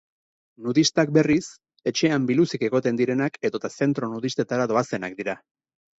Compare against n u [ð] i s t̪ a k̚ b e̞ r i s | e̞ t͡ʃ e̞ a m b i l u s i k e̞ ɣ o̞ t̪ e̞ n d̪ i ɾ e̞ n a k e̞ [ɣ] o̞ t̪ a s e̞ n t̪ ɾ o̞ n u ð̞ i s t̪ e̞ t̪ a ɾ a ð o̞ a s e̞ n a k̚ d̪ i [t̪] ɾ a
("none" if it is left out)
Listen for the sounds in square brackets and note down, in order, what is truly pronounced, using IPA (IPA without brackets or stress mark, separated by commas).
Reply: ð, ð, none